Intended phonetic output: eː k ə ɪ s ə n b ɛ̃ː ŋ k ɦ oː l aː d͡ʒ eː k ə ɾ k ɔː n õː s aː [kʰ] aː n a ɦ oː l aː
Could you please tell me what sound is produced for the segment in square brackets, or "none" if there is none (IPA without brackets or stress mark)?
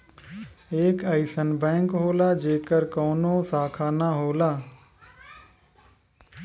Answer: kʰ